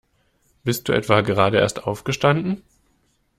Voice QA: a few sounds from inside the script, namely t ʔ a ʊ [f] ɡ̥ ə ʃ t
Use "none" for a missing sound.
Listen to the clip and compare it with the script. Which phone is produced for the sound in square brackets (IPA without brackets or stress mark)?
f